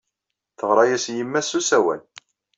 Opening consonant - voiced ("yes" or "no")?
no